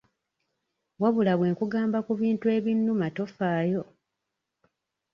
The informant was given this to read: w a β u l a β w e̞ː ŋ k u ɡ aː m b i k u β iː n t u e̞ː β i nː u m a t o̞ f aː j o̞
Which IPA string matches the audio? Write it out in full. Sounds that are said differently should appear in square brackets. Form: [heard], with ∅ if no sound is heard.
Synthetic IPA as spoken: w a β u l a β w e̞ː ŋ k u ɡ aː m b [a] k u β iː n t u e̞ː β i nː u m a t o̞ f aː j o̞